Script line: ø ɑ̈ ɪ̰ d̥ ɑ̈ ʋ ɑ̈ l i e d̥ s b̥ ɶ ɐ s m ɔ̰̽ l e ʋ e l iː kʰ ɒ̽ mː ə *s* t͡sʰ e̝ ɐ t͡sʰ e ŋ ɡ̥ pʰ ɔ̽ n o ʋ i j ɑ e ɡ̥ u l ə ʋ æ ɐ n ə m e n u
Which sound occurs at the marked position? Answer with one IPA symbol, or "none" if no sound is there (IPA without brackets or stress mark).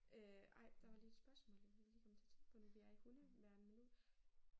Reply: none